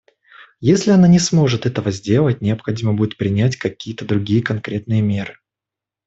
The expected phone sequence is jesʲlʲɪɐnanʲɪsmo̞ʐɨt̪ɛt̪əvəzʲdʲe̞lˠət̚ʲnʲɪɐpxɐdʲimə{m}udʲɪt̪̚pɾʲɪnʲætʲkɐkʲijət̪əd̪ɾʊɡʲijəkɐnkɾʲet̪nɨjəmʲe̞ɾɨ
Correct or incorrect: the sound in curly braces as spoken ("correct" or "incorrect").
incorrect